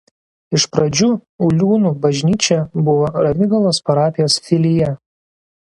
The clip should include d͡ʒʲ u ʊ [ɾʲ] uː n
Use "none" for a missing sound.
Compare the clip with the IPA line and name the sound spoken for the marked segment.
lʲ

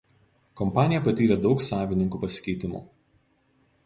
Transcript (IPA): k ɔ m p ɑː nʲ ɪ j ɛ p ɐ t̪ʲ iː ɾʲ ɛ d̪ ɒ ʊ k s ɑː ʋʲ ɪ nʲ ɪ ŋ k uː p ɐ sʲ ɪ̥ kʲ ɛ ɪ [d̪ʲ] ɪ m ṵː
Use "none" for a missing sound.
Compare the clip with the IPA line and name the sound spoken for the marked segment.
t̪ʲ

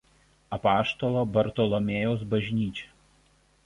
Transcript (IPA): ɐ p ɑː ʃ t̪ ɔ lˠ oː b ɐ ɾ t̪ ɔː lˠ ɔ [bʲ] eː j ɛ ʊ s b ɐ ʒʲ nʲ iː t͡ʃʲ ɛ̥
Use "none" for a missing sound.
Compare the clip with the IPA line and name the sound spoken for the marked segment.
mʲ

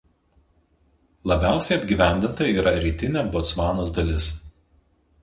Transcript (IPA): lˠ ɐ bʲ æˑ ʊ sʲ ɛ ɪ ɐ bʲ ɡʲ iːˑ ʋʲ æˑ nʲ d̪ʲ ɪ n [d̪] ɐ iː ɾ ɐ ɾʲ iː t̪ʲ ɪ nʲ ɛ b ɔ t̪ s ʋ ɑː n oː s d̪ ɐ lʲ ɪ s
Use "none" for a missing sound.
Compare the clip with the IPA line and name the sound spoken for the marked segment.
t̪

